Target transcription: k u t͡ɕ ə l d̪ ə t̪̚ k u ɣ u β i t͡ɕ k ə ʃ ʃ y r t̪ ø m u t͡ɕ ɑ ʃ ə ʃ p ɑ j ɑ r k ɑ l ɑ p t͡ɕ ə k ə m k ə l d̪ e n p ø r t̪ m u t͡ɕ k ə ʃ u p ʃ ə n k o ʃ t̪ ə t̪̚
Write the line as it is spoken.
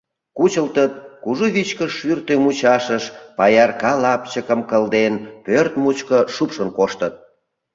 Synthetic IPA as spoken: k u t͡ɕ ə l t̪ ə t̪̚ k u ʒ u β i t͡ɕ k ə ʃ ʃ y r t̪ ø m u t͡ɕ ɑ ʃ ə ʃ p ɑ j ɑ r k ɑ l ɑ p t͡ɕ ə k ə m k ə l d̪ e n p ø r t̪ m u t͡ɕ k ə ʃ u p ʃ ə n k o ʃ t̪ ə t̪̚